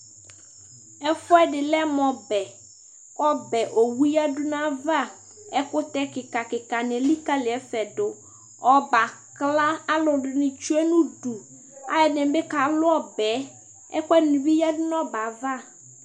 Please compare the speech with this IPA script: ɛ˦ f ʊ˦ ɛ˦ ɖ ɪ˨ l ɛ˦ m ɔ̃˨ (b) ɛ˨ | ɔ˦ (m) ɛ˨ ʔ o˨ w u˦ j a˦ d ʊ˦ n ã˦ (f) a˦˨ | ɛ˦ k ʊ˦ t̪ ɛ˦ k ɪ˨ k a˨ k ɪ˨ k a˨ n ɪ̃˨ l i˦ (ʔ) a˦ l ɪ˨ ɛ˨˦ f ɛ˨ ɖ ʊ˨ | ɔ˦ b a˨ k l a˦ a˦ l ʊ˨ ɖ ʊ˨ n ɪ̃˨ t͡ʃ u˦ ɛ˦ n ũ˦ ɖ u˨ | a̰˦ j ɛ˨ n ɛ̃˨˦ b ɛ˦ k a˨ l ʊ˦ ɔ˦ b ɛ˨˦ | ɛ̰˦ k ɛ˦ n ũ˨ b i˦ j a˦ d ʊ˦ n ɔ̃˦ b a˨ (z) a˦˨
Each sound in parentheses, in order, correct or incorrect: correct, incorrect: b, incorrect: v, incorrect: k, incorrect: v

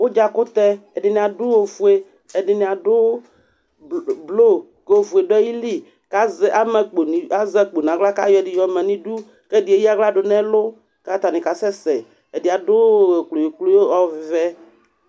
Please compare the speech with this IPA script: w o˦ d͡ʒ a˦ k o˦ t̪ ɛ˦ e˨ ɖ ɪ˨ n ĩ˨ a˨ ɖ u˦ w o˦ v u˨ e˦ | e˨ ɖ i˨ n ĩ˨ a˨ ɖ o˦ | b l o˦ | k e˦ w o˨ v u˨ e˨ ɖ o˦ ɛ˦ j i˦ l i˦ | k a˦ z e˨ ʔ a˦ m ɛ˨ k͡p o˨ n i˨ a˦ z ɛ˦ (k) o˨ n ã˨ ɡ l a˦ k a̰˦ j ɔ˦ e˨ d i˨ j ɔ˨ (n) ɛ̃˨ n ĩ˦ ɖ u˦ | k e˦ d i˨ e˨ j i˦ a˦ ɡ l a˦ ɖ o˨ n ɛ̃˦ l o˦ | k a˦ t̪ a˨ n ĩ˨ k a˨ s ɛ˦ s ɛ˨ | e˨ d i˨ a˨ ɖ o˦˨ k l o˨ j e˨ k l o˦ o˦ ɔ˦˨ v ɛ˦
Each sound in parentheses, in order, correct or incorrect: incorrect: k͡p, incorrect: m

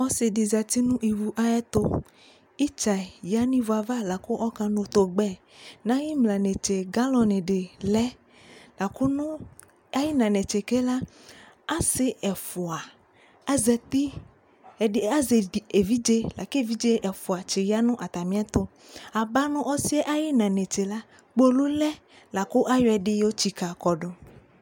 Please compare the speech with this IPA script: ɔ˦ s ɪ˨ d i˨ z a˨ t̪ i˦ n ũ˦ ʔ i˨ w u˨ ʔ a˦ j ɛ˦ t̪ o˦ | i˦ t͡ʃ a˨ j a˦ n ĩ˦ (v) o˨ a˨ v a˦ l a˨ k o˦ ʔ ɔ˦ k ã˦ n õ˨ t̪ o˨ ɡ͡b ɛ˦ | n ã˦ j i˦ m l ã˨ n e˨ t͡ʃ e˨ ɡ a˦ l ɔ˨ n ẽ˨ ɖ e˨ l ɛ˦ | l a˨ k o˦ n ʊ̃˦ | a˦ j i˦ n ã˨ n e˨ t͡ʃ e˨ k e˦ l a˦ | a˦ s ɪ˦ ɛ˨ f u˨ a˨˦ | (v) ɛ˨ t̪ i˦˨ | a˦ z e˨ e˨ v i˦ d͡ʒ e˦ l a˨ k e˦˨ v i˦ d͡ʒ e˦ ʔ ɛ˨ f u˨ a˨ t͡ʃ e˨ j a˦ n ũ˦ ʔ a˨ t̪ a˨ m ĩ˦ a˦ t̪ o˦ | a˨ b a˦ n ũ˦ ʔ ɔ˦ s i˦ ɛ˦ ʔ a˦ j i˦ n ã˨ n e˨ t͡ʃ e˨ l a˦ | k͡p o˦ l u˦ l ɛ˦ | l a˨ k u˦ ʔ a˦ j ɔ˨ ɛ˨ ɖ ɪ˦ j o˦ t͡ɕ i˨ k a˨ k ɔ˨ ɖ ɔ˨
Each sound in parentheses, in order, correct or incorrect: correct, incorrect: z

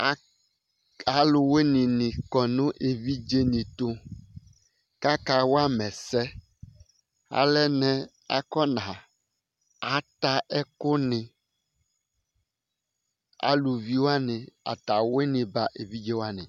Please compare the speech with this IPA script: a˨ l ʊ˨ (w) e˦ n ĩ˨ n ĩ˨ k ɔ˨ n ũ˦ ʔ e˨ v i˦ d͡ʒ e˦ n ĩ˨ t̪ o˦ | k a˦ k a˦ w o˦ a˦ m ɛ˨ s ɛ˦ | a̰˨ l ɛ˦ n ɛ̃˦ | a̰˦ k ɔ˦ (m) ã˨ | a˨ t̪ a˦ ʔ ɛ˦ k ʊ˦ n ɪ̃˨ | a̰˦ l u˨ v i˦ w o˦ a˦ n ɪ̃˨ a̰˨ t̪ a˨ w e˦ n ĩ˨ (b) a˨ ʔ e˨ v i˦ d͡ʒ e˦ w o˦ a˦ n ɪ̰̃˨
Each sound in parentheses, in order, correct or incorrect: correct, incorrect: n, correct

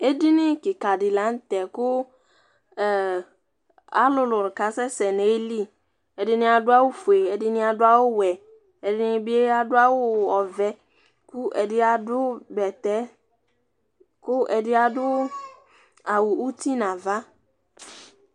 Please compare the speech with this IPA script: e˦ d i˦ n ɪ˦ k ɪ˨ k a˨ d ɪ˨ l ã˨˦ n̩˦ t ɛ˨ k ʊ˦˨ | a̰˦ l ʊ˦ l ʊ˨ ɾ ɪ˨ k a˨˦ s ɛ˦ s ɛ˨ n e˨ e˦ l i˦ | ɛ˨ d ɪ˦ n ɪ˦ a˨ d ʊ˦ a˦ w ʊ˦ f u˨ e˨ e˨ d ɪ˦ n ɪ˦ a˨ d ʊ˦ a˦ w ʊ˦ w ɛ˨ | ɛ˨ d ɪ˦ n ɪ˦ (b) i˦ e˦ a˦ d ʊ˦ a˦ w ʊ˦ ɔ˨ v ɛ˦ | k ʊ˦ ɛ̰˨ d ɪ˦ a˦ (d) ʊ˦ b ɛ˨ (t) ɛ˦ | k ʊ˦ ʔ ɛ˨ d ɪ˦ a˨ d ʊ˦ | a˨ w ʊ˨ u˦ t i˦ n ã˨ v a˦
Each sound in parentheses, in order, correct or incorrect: correct, correct, correct

